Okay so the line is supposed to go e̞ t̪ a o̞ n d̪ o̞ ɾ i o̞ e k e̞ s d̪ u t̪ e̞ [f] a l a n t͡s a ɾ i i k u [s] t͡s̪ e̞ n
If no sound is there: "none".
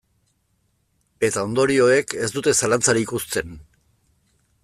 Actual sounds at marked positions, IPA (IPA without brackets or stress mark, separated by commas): s, s